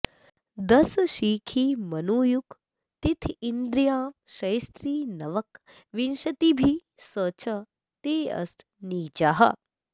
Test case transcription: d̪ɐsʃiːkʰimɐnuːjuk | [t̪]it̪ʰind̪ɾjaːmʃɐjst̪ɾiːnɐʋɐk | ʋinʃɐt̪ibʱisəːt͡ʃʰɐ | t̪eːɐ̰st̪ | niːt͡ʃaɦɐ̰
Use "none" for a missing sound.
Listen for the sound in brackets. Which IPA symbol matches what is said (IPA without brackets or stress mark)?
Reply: t̪